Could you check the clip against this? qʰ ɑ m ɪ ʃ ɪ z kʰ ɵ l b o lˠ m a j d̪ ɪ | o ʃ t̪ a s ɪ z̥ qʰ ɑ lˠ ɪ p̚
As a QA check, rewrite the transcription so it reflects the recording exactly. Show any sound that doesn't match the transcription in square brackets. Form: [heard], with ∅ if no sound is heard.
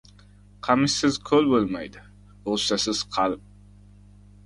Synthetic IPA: qʰ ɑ m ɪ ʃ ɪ z kʰ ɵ l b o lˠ m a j d̪ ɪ | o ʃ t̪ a s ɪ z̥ qʰ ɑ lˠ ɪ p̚